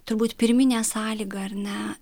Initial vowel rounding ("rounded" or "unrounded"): rounded